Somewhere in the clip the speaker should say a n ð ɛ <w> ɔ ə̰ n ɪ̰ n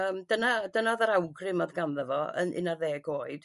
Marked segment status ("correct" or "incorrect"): incorrect